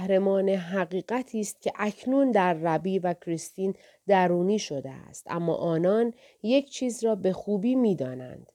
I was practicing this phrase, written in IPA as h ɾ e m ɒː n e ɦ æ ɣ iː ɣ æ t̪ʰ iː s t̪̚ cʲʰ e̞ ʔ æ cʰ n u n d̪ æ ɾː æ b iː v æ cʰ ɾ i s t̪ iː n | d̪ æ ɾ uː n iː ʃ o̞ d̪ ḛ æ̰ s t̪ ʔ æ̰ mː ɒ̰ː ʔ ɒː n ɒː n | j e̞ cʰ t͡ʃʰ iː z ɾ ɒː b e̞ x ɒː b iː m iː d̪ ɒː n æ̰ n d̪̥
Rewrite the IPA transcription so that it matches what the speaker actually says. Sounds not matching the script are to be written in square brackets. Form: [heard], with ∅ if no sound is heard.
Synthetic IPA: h ɾ e m ɒː n e ɦ æ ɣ iː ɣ æ t̪ʰ iː s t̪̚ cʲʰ e̞ ʔ æ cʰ n u n d̪ æ ɾː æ b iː v æ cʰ ɾ i s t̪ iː n | d̪ æ ɾ uː n iː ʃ o̞ d̪ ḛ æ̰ s t̪ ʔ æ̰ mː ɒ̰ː ʔ ɒː n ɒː n | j e̞ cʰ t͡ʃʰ iː z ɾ ɒː b e̞ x [uː] b iː m iː d̪ ɒː n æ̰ n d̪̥